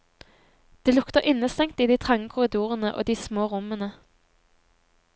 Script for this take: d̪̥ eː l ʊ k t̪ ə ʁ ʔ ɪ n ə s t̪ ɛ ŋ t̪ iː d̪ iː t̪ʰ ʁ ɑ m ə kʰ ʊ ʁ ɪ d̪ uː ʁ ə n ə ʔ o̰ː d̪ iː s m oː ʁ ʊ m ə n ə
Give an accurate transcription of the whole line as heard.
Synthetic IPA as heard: d̪̥ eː l ʊ k t̪ ə ʁ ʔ ɪ n ə s t̪ ɛ ŋ t̪ iː d̪ iː t̪ʰ ʁ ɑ ŋ ə kʰ ʊ ʁ ɪ d̪ uː ʁ ə n ə ʔ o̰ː d̪ iː s m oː ʁ ʊ m ə n ə